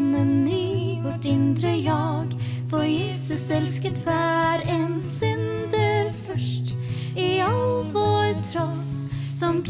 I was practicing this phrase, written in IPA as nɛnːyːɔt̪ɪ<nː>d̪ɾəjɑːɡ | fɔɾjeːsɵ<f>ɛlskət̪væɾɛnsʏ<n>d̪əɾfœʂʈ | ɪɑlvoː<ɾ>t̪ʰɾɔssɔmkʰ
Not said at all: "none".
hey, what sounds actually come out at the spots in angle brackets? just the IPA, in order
n, s, n, ɾ

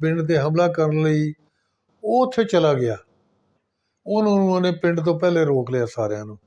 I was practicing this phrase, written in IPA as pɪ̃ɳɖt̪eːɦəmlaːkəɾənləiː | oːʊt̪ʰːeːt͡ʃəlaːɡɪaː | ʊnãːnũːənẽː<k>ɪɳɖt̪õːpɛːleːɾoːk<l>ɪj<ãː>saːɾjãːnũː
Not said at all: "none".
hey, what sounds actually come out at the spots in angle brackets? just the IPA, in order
p, l, aː

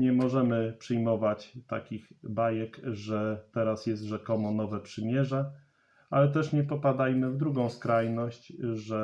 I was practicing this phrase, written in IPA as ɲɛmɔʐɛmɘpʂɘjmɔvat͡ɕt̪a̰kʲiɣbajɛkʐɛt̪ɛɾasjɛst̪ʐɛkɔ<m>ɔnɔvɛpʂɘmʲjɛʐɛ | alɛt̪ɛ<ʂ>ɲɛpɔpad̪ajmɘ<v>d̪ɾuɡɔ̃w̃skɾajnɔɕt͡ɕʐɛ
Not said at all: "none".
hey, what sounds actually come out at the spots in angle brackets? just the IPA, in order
m, ʂ, v

